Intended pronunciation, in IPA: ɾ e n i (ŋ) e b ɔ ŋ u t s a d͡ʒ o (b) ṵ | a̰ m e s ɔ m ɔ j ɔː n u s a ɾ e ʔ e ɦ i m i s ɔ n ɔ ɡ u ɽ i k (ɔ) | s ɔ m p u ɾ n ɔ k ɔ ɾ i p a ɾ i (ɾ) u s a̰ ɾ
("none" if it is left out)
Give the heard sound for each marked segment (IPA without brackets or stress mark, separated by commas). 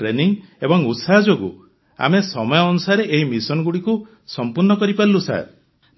ŋ, ɡ, u, l